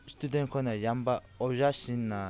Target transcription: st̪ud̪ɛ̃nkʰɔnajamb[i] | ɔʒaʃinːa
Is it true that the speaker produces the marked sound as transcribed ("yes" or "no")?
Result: no